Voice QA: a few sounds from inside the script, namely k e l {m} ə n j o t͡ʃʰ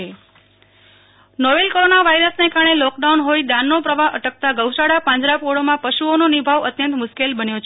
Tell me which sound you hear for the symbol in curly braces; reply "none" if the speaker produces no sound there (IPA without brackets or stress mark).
b